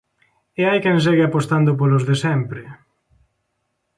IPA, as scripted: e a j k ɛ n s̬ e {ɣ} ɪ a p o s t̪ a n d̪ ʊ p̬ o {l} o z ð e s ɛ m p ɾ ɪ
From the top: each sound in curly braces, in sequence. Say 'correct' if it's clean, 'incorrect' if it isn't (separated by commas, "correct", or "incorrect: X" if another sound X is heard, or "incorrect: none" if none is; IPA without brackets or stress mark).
correct, correct